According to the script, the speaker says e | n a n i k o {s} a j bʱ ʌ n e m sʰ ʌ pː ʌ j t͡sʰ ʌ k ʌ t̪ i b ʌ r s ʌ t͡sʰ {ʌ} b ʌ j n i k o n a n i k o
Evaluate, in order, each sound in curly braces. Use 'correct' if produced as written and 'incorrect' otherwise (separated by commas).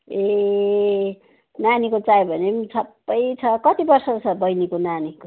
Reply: incorrect, correct